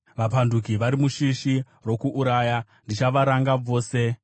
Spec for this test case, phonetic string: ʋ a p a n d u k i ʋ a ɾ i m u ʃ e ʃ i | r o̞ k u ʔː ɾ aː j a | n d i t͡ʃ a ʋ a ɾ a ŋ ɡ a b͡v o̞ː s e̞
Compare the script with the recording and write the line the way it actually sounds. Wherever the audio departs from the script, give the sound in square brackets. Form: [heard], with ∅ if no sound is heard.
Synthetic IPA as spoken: ʋ a p a n d u k i ʋ a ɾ i m u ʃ [i] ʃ i | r o̞ k u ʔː ɾ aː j a | n d i t͡ʃ a ʋ a ɾ a ŋ ɡ a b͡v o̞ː s e̞